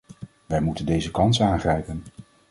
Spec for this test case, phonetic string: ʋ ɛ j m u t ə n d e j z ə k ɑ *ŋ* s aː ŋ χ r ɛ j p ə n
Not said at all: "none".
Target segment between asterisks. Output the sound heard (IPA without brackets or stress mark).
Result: n